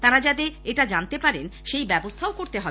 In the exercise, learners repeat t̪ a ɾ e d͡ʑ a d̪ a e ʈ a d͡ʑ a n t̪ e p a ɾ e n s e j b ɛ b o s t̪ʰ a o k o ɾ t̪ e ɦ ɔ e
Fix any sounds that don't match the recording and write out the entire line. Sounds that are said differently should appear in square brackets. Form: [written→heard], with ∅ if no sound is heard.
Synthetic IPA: t̪ a ɾ [e→a] d͡ʑ a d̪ [a→e] e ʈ a d͡ʑ a n t̪ e p a ɾ e n [s→ʃ] e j b ɛ b o s t̪ʰ a o k o ɾ t̪ e ɦ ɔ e